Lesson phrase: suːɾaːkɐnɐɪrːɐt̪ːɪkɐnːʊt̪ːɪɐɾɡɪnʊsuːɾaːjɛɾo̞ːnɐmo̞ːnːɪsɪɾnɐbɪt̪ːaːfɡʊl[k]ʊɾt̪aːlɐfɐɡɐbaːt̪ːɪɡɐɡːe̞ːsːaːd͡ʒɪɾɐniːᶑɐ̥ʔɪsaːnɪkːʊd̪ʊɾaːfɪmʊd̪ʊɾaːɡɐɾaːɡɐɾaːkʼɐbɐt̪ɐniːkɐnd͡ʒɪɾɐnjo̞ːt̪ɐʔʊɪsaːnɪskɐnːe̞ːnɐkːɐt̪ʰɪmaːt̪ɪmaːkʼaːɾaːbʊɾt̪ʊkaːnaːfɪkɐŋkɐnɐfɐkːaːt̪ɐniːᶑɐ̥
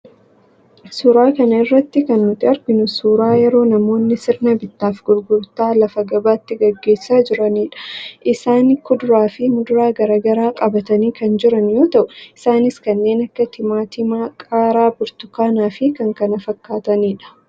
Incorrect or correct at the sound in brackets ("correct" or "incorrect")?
incorrect